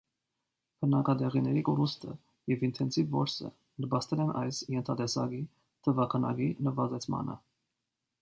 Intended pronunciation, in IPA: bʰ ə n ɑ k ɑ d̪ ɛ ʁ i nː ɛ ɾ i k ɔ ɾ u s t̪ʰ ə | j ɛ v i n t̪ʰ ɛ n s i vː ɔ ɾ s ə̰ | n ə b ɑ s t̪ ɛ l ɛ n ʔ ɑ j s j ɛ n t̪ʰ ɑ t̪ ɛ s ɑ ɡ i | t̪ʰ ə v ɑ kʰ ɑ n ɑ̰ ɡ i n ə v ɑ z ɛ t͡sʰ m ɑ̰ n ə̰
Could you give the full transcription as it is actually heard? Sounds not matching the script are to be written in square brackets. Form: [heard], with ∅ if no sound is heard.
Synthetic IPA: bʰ ə n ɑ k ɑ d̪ ɛ ʁ i [n] ɛ ɾ i k ɔ ɾ u s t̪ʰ ə | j ɛ v i n t̪ʰ ɛ n s i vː ɔ ɾ s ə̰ | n ə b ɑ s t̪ ɛ l ɛ n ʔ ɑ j s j ɛ n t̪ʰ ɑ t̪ ɛ s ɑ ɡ i | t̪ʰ ə v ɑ kʰ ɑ n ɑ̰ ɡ i n ə v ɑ z ɛ t͡sʰ m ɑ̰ n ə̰

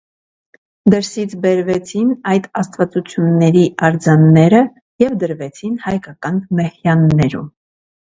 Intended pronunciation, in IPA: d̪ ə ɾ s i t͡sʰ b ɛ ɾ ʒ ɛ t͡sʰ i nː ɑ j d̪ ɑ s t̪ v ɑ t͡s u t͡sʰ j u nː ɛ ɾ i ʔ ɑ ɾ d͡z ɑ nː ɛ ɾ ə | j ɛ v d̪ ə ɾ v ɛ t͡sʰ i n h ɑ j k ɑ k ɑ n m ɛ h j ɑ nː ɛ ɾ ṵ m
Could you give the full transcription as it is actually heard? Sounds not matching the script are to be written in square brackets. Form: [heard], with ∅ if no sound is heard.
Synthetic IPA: d̪ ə ɾ s i t͡sʰ b ɛ ɾ [v] ɛ t͡sʰ i [n] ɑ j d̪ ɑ s t̪ v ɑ t͡s u t͡sʰ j u nː ɛ ɾ i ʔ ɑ ɾ d͡z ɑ nː ɛ ɾ ə | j ɛ v d̪ ə ɾ v ɛ t͡sʰ i n h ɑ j k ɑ k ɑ n m ɛ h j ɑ nː ɛ ɾ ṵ m

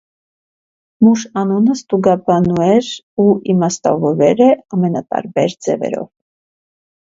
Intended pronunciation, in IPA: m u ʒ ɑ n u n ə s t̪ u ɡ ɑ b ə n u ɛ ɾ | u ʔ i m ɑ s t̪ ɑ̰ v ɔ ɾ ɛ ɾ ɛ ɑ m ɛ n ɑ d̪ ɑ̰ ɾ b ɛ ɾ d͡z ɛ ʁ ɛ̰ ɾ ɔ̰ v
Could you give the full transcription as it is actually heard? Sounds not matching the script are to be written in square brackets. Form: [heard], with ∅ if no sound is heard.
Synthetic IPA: m u [ʃ] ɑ n u n ə s t̪ u ɡ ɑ b [ɑ] n u ɛ ɾ | u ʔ i m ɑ s t̪ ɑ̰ v ɔ ɾ ɛ ɾ ɛ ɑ m ɛ n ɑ [t̪] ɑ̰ ɾ b ɛ ɾ d͡z ɛ [v] ɛ̰ ɾ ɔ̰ v

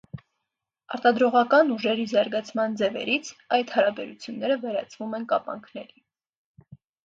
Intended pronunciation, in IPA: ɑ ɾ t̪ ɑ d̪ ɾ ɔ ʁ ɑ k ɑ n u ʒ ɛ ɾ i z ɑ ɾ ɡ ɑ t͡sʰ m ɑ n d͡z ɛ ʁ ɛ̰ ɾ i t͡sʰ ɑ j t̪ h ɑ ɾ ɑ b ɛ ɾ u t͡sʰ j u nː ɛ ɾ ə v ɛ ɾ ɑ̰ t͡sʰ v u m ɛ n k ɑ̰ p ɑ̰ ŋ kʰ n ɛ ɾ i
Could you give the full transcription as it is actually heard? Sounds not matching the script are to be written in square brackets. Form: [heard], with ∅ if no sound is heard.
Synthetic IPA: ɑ ɾ t̪ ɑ d̪ ɾ ɔ ʁ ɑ k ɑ n u ʒ ɛ ɾ i z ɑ ɾ ɡ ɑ t͡sʰ m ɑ n d͡z ɛ [v] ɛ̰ ɾ i t͡sʰ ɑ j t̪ h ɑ ɾ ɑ b ɛ ɾ u t͡sʰ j u nː ɛ ɾ ə v ɛ ɾ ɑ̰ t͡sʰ v u m ɛ n k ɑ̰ p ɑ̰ ŋ kʰ n ɛ ɾ i

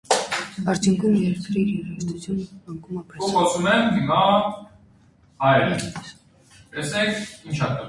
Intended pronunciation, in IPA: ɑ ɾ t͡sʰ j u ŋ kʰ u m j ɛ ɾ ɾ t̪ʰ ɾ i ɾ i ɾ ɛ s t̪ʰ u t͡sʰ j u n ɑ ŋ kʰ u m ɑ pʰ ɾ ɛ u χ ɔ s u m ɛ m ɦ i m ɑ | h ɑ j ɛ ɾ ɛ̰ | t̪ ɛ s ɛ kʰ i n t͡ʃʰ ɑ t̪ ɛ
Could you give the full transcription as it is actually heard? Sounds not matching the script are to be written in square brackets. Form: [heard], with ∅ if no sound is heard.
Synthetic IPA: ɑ ɾ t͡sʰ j u ŋ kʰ u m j ɛ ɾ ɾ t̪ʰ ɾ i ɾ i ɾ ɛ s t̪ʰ u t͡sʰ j u n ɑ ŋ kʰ u m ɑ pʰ ɾ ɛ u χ ɔ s u m ɛ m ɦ i m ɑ | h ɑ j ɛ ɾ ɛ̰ | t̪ ɛ s ɛ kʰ i n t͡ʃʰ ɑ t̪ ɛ

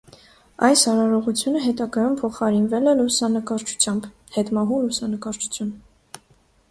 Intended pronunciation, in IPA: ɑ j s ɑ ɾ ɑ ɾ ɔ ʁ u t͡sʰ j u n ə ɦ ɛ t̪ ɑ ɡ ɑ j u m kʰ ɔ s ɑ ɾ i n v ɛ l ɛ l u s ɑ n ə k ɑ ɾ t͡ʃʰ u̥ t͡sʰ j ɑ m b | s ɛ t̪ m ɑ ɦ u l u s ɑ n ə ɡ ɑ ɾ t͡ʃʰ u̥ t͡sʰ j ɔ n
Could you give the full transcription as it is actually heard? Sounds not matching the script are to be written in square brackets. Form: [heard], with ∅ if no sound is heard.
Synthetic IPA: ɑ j s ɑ ɾ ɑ ɾ ɔ ʁ u t͡sʰ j u n ə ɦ ɛ t̪ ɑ ɡ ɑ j u m [pʰ] ɔ [χ] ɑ ɾ i n v ɛ l ɛ l u s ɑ n ə k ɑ ɾ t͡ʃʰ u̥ t͡sʰ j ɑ m b | [h] ɛ t̪ m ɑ ɦ u l u s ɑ n ə [k] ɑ ɾ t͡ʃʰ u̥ t͡sʰ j [u] n

